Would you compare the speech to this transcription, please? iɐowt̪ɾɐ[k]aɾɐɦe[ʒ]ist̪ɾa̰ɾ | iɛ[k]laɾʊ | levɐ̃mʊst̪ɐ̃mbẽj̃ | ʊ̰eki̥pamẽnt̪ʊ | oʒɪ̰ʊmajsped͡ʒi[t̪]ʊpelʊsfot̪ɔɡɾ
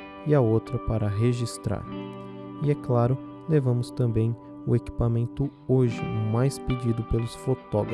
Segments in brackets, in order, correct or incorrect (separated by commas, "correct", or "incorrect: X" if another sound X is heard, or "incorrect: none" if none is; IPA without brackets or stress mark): incorrect: p, correct, correct, incorrect: d̪